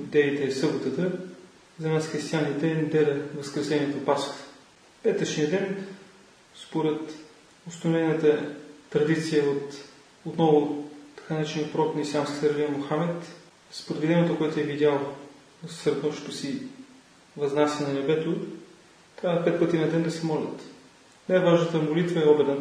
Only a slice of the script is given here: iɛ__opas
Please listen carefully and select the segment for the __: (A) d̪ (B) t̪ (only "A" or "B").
B